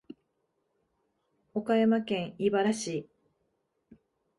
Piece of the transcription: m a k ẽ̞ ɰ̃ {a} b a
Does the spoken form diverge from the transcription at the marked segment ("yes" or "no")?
yes